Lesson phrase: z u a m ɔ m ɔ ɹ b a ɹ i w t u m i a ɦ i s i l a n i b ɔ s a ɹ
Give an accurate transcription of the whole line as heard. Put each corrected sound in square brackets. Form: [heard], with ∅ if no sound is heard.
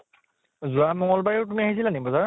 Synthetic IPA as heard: z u a m ɔ [ŋ] ɔ [l] b a ɹ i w t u m i a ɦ i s i l a n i b ɔ [z] a ɹ

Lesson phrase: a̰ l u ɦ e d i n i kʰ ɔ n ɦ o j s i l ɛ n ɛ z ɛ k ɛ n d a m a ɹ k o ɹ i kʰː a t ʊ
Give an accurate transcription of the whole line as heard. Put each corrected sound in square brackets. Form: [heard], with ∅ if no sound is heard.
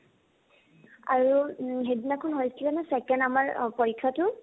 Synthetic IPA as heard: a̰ [ɹ] u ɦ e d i n [a] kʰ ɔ n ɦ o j s i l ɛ n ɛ [s] ɛ k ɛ n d a m a ɹ [p] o ɹ i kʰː a t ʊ

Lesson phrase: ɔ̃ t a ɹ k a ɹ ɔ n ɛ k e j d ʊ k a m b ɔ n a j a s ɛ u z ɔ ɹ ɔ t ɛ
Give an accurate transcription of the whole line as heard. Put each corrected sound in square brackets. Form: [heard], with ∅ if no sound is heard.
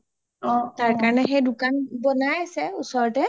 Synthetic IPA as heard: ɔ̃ t a ɹ k a ɹ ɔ n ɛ [x] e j d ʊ k a [n] b ɔ n a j a s ɛ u [s] ɔ ɹ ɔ t ɛ

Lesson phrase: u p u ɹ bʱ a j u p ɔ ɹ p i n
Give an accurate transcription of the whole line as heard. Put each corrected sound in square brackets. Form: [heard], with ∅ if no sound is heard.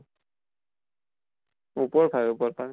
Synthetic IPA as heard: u p [ɔ] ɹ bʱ a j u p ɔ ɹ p [a] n

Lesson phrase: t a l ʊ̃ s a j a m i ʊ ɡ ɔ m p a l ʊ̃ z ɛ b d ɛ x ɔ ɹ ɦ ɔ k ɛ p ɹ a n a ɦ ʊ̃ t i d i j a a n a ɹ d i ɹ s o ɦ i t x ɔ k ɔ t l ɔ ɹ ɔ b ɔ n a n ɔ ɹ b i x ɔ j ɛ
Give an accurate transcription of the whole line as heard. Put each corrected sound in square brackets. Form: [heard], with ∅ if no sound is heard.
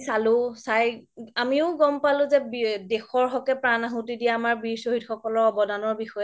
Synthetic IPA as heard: [s] a l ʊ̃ s a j a m i ʊ ɡ ɔ m p a l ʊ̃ z ɛ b d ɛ x ɔ ɹ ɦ ɔ k ɛ p ɹ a n a ɦ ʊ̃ t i d i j a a [m] a ɹ [b] i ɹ s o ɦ i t x ɔ k ɔ [∅] l ɔ ɹ ɔ b ɔ [d] a n ɔ ɹ b i x ɔ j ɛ

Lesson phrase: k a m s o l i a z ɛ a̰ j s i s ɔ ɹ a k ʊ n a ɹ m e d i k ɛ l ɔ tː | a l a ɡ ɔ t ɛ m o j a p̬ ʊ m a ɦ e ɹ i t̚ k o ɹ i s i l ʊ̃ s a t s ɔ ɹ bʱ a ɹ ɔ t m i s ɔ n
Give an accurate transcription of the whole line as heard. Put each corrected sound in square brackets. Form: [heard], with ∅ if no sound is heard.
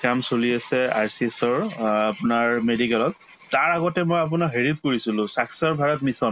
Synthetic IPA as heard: k a m s o l i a [s] ɛ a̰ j s i s ɔ ɹ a [p] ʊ n a ɹ m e d i k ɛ l ɔ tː | a [ɹ] a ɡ ɔ t ɛ m o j a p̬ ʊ [n] a ɦ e ɹ i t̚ k o ɹ i s i l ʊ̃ s a [k] s ɔ ɹ bʱ a ɹ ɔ t m i s ɔ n

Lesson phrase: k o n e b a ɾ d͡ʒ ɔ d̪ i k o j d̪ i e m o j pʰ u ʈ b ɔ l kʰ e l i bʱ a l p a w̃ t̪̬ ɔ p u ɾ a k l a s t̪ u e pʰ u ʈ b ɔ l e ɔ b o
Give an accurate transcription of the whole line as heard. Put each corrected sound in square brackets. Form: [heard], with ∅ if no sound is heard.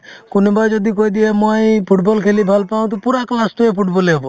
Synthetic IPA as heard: k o n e b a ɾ d͡ʒ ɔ d̪ i k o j d̪ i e m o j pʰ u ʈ b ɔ l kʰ e l i bʱ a l p a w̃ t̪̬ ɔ p u ɾ a k l a s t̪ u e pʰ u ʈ b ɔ l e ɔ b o

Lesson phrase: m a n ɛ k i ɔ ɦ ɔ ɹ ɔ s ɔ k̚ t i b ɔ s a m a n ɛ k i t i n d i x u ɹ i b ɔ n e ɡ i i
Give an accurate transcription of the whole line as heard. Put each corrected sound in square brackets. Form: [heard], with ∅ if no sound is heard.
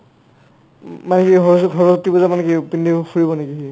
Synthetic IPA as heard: m a n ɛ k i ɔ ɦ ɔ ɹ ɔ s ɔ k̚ t i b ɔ [z] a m a n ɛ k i [p] i n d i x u ɹ i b ɔ n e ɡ i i

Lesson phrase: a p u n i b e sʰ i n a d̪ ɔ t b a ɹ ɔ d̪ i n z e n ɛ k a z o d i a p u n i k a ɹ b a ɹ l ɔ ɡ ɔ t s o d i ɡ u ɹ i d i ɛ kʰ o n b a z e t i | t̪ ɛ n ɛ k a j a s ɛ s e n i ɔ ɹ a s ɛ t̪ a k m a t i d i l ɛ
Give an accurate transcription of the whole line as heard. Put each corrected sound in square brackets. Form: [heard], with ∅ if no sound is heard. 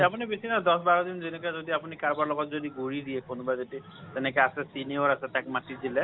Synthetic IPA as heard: a p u n i b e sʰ i n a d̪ ɔ [s] b a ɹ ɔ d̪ i n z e n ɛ k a z o d i a p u n i k a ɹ b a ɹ l ɔ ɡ ɔ t [z] o d i ɡ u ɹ i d i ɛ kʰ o n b a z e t i | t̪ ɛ n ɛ k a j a s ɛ s [i] n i ɔ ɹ a s ɛ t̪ a k m a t i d i l ɛ

